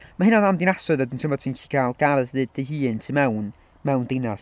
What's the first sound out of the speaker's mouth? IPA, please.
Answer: m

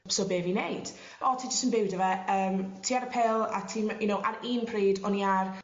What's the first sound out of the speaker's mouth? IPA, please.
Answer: s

